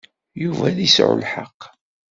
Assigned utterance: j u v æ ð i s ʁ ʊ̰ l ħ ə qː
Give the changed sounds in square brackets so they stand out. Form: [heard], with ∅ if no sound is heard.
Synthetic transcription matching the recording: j u v æ ð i s [ʕ] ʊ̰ l ħ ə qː